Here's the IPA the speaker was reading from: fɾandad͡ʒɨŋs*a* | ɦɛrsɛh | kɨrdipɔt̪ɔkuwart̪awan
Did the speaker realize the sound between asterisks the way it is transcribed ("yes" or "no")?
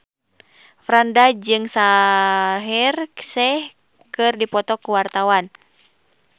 yes